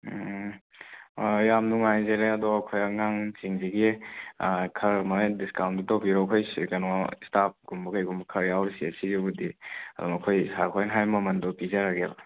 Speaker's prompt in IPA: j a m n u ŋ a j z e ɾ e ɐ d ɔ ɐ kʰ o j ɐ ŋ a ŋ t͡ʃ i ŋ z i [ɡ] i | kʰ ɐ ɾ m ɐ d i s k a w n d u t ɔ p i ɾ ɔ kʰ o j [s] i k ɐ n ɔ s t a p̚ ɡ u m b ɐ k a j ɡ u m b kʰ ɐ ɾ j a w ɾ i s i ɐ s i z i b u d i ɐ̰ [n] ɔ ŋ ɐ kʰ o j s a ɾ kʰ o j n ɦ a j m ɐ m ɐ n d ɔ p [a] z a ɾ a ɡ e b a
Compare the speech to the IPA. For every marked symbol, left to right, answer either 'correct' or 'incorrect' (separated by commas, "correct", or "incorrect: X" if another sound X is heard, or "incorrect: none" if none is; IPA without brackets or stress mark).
correct, correct, incorrect: d, incorrect: i